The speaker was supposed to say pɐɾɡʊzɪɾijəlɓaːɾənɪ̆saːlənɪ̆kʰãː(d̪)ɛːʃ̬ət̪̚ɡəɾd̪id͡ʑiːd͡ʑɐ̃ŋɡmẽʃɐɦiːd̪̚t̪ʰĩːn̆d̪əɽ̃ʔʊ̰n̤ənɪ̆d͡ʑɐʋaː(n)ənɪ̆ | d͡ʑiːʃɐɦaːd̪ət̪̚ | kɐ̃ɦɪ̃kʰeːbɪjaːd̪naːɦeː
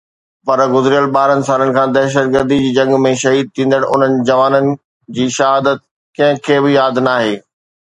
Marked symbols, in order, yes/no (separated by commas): yes, yes